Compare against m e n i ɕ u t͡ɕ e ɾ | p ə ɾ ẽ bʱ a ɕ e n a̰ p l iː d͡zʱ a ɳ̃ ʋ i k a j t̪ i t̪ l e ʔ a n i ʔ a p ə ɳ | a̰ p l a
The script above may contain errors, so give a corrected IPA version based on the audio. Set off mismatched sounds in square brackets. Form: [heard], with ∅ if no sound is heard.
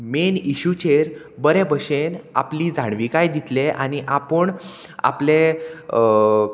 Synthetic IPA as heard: m e n i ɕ u t͡ɕ e ɾ | [b] ə ɾ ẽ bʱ [ə] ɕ e n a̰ p l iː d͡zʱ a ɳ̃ ʋ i k a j [d̪] i t̪ l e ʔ a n i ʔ a p ə ɳ | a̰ p l [e]